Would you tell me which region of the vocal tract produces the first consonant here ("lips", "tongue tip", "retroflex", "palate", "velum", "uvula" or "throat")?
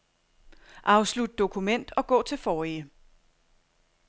throat